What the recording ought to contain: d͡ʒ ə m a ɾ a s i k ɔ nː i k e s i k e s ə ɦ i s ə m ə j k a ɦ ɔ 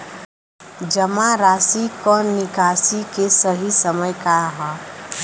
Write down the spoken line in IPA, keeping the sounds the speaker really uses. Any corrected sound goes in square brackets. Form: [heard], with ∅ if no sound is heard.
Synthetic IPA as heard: d͡ʒ ə m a ɾ a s i k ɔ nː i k [a] s i k e s ə ɦ i s ə m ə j k a ɦ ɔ